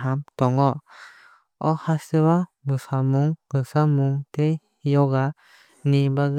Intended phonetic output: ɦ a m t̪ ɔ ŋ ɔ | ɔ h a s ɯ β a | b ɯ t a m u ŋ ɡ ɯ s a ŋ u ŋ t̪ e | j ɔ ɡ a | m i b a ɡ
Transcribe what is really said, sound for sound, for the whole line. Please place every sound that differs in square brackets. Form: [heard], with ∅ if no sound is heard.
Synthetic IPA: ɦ a m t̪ ɔ ŋ ɔ | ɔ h a s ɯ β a | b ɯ [s] a m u ŋ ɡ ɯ s a [m] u ŋ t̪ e | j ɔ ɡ a | [n] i b a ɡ

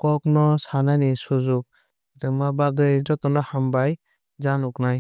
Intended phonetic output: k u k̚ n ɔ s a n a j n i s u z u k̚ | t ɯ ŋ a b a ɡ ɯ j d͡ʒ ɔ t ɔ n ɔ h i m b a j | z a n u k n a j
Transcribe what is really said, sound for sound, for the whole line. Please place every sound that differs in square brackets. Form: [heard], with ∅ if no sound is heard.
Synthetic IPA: k [ɔ] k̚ n ɔ s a n a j n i s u z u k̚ | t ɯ [m] a b a ɡ ɯ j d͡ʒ ɔ t ɔ n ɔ h [a] m b a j | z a n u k n a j

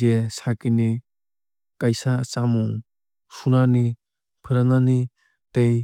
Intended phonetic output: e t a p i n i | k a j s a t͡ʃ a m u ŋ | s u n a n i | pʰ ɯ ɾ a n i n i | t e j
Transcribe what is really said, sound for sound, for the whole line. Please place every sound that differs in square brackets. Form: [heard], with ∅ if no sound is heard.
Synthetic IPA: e [s] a [k] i n i | k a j s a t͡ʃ a m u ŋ | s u n a n i | pʰ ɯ ɾ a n [a] n i | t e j

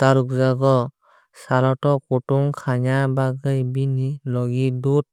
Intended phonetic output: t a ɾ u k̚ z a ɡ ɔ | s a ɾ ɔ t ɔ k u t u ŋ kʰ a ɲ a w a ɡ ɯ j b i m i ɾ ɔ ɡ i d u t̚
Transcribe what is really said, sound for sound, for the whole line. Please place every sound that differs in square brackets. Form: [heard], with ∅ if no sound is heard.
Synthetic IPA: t a ɾ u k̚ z a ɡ ɔ | s a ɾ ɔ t ɔ k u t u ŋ kʰ a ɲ a [b] a ɡ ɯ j b i [n] i [l] ɔ ɡ i d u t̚

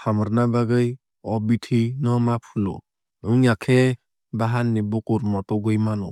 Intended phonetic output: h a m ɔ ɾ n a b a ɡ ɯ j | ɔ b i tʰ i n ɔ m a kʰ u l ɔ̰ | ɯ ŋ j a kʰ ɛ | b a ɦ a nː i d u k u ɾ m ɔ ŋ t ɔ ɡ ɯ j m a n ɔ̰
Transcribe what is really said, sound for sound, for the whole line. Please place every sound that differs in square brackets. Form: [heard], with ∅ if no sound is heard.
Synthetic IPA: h a m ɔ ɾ n a b a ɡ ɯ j | ɔ b i tʰ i n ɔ m a [pʰ] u l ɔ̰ | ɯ ŋ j a kʰ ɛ | b a ɦ a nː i [b] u k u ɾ m ɔ [∅] t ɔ ɡ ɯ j m a n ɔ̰

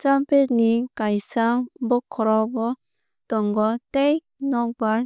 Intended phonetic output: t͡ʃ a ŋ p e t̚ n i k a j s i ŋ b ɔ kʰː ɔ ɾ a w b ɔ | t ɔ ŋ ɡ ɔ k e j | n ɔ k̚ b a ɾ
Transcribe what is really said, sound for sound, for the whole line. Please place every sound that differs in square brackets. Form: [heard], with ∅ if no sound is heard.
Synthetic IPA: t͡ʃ a [m] p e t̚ n i k a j s [a] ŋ b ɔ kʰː ɔ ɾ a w [ɡ] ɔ | t ɔ ŋ ɡ ɔ [t] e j | n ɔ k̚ b a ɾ

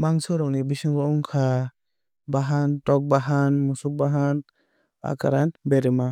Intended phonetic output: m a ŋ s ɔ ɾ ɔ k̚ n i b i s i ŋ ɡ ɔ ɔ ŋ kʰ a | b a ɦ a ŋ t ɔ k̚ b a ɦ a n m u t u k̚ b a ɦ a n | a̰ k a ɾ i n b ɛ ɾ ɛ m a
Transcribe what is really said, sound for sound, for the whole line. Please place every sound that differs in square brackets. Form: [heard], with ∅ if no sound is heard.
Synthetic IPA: m a ŋ s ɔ ɾ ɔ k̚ n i b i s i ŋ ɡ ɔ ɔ ŋ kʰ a | b a ɦ a [n] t ɔ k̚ b a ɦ a n m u [s] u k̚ b a ɦ a n | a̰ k a ɾ [a] n b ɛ ɾ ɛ m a

